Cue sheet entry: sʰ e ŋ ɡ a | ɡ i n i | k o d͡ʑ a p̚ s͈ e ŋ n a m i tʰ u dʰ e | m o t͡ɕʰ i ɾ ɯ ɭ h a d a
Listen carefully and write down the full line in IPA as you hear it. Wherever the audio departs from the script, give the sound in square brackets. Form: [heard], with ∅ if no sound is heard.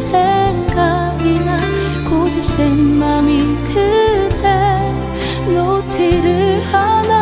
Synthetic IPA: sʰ e ŋ ɡ a | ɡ i n [a] | k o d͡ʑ [i] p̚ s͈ e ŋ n a m i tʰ [ɯ] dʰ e | [n] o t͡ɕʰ i ɾ ɯ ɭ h a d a